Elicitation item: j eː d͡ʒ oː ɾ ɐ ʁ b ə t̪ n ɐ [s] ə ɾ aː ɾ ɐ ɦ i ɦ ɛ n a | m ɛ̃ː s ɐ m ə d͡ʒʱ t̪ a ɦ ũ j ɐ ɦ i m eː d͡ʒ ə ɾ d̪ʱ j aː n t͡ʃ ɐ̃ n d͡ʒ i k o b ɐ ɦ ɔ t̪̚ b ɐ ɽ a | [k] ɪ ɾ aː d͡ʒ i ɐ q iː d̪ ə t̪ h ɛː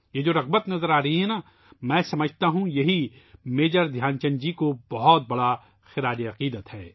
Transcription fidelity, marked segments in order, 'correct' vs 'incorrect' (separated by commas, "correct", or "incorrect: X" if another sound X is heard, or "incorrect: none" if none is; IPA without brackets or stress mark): incorrect: z, incorrect: x